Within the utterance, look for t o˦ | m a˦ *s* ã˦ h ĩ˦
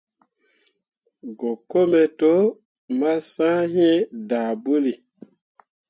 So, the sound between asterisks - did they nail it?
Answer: yes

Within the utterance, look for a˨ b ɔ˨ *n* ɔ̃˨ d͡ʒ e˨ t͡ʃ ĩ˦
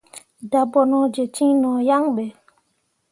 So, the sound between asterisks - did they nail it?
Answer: yes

